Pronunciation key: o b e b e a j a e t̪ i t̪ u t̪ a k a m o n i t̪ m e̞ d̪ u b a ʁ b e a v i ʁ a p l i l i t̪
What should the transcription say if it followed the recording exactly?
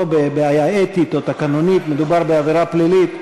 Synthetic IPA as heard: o b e b e a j a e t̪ i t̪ o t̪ a k a n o n i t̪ m e̞ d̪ u b a ʁ b e a v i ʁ a p l i l i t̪